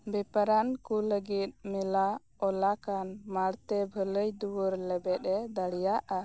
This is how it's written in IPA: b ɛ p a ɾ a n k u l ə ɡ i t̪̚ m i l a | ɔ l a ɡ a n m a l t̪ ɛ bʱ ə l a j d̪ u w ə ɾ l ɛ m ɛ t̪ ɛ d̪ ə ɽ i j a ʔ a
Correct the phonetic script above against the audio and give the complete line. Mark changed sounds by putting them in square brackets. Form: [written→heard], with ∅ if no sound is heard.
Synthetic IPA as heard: b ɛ p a ɾ a n k u l ə ɡ i t̪̚ m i l a | ɔ l a [ɡ→k] a n m a [l→ɽ] t̪ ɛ bʱ ə l [a→ə] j d̪ u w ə ɾ l ɛ [m→b] ɛ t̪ ɛ d̪ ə ɽ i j a ʔ a